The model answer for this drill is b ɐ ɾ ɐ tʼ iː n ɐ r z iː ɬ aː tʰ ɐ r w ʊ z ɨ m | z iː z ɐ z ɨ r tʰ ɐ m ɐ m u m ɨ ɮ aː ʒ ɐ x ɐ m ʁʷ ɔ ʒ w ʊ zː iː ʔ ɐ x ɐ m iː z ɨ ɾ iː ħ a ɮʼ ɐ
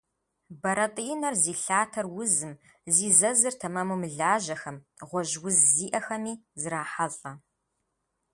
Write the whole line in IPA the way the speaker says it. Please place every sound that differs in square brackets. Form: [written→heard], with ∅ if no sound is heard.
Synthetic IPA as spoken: b ɐ ɾ ɐ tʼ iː n ɐ r z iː ɬ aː tʰ ɐ r w ʊ z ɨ m | z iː z ɐ z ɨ r tʰ ɐ m ɐ m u m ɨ ɮ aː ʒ ɐ x ɐ m ʁʷ ɔ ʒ w ʊ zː iː ʔ ɐ x ɐ m iː z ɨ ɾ [iː→aː] ħ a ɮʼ ɐ